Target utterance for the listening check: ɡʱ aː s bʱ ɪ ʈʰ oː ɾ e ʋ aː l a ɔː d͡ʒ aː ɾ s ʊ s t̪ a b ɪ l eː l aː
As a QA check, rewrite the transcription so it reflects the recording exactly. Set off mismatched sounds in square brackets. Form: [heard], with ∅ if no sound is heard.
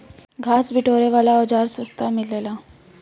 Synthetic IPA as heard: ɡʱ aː s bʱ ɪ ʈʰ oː ɾ e ʋ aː l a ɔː d͡ʒ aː ɾ s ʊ s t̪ a [m] ɪ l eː l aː